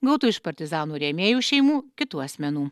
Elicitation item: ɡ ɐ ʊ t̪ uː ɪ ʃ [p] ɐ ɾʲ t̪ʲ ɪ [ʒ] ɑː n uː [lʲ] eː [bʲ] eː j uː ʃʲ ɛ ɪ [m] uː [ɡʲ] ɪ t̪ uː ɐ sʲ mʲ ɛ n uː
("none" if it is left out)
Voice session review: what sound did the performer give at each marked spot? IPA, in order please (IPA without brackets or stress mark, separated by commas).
p, z, ɾʲ, mʲ, m, kʲ